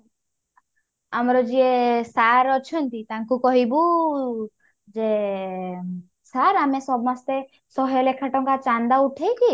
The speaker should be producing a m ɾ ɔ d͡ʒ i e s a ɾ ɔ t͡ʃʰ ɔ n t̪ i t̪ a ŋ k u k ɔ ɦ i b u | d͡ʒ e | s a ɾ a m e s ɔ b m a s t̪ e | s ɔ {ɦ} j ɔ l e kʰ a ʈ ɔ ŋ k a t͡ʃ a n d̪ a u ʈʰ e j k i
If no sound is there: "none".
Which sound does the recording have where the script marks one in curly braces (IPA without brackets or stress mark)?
ɦ